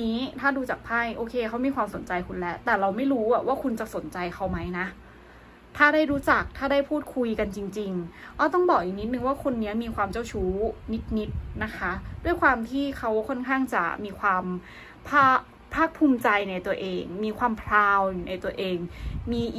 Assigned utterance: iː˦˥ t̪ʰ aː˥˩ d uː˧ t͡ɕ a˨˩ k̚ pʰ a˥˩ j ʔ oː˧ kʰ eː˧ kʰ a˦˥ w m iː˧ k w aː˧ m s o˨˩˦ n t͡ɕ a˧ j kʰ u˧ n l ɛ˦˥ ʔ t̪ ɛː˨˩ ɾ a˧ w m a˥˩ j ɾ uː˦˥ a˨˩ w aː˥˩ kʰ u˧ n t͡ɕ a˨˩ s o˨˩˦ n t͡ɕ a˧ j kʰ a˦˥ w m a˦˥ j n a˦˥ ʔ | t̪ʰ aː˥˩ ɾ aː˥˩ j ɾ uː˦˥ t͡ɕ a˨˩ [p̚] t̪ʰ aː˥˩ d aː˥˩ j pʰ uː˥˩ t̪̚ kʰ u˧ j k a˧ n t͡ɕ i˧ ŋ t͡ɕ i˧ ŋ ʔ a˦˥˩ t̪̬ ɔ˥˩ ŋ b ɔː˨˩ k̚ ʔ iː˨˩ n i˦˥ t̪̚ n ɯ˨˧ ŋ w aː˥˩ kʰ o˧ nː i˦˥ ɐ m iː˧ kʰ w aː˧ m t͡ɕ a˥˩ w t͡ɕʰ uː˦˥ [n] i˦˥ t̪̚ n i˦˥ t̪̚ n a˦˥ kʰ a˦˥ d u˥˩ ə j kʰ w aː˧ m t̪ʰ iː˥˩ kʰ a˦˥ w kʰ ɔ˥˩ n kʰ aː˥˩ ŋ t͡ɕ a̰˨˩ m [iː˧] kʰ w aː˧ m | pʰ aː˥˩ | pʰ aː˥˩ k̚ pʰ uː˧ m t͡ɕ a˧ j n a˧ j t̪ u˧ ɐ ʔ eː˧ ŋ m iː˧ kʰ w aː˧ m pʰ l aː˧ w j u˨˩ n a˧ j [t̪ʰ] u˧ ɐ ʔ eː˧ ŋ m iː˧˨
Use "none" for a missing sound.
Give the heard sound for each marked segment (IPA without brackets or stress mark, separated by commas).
k̚, n, iː˧, t̪